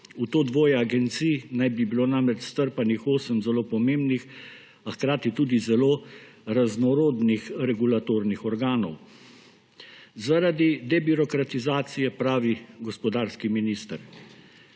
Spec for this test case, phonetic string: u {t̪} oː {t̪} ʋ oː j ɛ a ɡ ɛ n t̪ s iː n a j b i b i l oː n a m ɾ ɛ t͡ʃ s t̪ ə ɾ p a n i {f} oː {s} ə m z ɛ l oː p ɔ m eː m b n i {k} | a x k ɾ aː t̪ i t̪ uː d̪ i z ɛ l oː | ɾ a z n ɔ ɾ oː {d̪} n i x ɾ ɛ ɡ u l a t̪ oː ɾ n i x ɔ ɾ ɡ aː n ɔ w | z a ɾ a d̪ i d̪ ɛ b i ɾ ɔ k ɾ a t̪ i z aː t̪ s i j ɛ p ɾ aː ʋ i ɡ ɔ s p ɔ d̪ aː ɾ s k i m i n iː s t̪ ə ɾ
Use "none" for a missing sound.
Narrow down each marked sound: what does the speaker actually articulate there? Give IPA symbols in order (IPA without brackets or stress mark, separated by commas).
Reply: t̪, d̪, x, s, x, d̪